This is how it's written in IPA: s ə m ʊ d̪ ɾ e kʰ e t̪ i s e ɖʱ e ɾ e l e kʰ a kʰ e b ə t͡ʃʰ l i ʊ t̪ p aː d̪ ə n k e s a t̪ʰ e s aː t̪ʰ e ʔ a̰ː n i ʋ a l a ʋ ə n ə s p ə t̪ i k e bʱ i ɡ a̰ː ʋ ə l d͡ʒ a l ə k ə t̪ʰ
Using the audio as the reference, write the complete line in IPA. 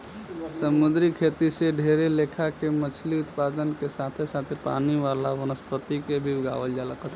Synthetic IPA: s ə m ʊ d̪ ɾ i kʰ e t̪ i s e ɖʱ e ɾ e l e kʰ a k e m ə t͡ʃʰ l i ʊ t̪ p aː d̪ ə n k e s a t̪ʰ e s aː t̪ʰ e p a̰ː n i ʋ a l a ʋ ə n ə s p ə t̪ i k e bʱ i ɡ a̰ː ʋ ə l d͡ʒ a l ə k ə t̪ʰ